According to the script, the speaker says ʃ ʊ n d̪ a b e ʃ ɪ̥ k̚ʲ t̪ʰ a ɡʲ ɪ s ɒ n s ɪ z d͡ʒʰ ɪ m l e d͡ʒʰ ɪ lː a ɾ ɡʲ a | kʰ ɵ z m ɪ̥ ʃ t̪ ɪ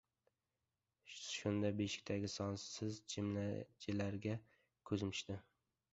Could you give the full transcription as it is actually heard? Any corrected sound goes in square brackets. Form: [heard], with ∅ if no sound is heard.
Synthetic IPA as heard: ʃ ʊ n d̪ a b e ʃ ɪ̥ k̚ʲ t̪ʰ a ɡʲ ɪ s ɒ n s ɪ z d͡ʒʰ ɪ m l [a] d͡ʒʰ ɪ [l] a ɾ ɡʲ a | kʰ ɵ z m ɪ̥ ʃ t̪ ɪ

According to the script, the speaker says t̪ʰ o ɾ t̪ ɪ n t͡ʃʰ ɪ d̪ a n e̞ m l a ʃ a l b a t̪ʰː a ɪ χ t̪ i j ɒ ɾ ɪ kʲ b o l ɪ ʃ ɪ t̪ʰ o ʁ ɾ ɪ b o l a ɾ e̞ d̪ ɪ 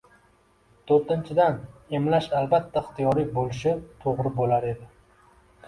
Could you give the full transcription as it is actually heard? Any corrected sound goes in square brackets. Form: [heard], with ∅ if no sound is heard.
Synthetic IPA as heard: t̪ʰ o ɾ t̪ ɪ n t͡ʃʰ ɪ d̪ a n e̞ m l a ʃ a l b a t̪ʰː a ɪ χ t̪ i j ɒ ɾ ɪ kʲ b o l ɪ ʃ ɪ t̪ʰ o ʁ ɾ ɪ b o l a ɾ e̞ d̪ ɪ

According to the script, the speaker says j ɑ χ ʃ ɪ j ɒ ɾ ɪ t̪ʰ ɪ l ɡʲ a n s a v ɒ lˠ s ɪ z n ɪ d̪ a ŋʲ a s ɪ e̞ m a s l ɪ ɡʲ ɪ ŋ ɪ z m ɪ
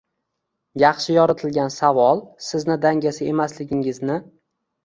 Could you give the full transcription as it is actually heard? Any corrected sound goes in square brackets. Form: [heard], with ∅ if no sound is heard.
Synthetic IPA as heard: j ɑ χ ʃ ɪ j ɒ ɾ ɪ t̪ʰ ɪ l ɡʲ a n s a v ɒ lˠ s ɪ z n ɪ d̪ a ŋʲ a s ɪ e̞ m a s l ɪ ɡʲ ɪ ŋ ɪ z [n] ɪ

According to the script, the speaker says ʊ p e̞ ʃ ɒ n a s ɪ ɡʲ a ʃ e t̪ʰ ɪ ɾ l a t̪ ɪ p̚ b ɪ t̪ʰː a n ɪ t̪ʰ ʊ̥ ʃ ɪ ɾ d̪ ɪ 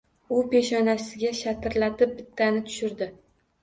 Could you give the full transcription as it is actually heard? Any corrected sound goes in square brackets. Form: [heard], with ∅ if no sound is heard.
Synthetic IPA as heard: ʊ p e̞ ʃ ɒ n a s ɪ ɡʲ a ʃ [a] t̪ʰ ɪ ɾ l a t̪ ɪ p̚ b ɪ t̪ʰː a n ɪ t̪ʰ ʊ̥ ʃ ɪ ɾ d̪ ɪ

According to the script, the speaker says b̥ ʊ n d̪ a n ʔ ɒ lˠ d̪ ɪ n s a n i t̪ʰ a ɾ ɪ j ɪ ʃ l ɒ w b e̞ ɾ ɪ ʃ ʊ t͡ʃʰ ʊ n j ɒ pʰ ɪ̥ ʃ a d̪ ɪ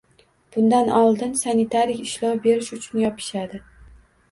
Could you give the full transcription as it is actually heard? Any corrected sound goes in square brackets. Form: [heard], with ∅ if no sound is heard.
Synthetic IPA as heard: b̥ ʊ n d̪ a n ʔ ɒ lˠ d̪ ɪ n s a n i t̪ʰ a ɾ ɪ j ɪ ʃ l ɒ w b e̞ ɾ ɪ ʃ ʊ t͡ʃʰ ʊ n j ɒ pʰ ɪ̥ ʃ a d̪ ɪ

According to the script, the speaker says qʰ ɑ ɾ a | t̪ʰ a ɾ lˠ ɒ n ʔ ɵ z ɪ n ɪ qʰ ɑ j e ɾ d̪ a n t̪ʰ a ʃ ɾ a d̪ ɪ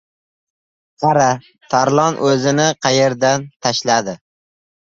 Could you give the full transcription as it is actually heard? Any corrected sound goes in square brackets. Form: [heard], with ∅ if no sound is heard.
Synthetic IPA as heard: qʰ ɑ ɾ a | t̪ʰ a ɾ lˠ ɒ n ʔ ɵ z ɪ n ɪ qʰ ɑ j e ɾ d̪ a n t̪ʰ a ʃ [l] a d̪ ɪ

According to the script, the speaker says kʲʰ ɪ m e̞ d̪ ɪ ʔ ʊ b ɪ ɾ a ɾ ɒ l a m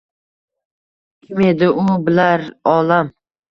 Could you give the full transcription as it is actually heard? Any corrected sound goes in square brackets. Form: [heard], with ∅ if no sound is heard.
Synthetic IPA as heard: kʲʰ ɪ m e̞ d̪ ɪ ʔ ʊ b ɪ [l] a ɾ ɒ l a m

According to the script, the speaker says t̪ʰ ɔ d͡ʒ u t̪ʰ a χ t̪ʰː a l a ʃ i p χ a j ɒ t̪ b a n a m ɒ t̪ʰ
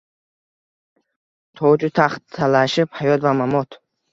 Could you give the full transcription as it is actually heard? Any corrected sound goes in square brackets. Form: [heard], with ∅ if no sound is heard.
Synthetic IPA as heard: t̪ʰ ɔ d͡ʒ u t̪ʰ a χ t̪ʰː a l a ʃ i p [h] a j [ɔ] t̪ [v] a [m] a m [ɔ] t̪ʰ

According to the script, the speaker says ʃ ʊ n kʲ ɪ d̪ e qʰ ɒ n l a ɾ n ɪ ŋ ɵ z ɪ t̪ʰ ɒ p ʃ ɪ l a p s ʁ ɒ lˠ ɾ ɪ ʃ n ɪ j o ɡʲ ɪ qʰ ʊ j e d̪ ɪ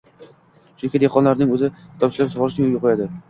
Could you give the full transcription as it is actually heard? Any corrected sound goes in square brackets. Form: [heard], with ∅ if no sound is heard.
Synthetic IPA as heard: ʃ ʊ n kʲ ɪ d̪ e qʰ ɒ n l a ɾ n ɪ ŋ ɵ z ɪ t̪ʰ ɒ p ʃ ɪ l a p s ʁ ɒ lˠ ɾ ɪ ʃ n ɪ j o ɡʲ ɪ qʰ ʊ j [a] d̪ ɪ

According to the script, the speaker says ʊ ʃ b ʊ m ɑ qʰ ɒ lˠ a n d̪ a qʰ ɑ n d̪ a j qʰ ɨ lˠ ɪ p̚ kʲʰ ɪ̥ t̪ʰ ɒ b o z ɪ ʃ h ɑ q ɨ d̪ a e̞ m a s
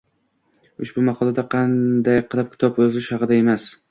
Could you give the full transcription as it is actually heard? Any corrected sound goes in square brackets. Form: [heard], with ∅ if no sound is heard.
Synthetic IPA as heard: ʊ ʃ b ʊ m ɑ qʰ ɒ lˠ a [∅] d̪ a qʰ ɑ n d̪ a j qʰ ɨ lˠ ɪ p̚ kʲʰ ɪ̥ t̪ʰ ɒ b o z ɪ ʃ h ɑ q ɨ d̪ a e̞ m a s

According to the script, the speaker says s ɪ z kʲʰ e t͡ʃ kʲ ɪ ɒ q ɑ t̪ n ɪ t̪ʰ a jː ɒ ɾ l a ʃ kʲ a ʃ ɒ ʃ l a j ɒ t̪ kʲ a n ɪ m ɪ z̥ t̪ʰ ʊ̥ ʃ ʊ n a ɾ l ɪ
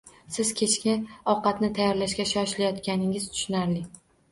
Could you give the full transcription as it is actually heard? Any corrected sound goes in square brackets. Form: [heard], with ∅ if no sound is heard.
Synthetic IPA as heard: s ɪ z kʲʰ e t͡ʃ kʲ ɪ ɒ q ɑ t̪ n ɪ t̪ʰ a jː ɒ ɾ l a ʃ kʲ a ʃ ɒ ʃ l a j ɒ t̪ kʲ a n ɪ [ŋ] ɪ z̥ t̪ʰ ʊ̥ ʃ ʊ n a ɾ l ɪ

